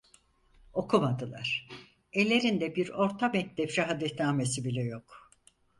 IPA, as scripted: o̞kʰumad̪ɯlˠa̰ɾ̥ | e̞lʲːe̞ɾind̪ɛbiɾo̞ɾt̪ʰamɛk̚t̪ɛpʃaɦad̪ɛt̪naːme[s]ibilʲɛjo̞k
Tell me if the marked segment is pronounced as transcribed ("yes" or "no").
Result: yes